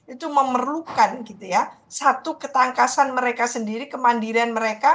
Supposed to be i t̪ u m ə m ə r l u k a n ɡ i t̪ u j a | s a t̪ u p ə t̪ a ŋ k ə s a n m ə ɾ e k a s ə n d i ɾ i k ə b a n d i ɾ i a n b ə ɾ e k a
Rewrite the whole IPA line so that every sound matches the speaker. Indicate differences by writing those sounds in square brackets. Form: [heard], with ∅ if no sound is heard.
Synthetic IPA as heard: i t̪ u m ə m ə r l u k a n ɡ i t̪ u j a | s a t̪ u [k] ə t̪ a ŋ k [a] s a n m ə ɾ e k a s ə n d i ɾ i k ə [m] a n d i ɾ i a n [m] ə ɾ e k a